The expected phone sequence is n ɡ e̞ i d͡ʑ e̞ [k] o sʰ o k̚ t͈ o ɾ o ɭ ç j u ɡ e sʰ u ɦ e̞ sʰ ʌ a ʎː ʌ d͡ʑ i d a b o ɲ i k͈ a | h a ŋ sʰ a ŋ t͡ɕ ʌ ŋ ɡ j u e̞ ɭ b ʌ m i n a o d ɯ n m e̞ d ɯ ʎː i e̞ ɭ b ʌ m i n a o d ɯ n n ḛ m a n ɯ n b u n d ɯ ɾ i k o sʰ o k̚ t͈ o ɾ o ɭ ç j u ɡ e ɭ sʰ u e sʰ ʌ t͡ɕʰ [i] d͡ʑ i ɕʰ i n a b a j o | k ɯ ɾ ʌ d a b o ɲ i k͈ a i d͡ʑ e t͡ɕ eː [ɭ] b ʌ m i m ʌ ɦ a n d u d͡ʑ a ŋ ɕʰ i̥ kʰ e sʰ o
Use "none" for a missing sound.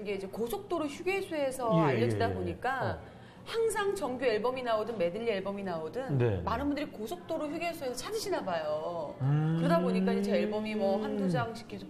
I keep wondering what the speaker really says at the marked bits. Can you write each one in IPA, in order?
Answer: k, a, ɭ

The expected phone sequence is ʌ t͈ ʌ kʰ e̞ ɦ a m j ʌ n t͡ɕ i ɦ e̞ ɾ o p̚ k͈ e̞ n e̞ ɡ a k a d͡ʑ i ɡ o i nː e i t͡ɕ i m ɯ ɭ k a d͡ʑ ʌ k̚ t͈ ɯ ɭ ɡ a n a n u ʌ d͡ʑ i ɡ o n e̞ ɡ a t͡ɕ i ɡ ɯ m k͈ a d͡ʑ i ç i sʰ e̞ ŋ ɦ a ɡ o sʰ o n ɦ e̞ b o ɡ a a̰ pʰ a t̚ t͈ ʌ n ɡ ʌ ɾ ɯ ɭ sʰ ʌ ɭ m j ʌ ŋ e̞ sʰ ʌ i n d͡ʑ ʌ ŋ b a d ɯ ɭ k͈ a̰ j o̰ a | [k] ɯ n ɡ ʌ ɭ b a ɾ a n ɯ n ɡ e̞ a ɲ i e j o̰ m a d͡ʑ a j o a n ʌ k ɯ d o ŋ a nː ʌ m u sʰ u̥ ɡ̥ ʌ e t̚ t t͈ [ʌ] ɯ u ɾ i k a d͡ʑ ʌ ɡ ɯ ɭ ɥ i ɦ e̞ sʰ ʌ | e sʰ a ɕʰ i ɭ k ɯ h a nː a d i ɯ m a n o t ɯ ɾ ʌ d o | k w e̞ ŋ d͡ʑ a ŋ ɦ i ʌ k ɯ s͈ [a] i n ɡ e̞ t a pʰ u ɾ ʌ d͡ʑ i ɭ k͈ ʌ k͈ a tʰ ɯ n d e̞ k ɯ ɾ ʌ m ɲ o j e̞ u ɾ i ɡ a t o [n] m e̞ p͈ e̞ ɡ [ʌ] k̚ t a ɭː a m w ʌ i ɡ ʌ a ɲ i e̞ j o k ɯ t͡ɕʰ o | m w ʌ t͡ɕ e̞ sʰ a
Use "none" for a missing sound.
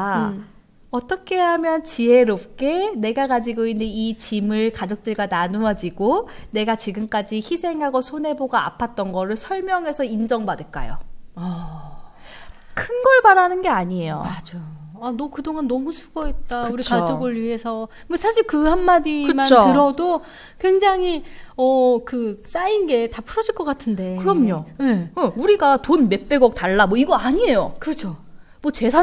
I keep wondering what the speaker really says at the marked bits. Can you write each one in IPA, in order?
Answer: kʰ, a, a, n, ʌ

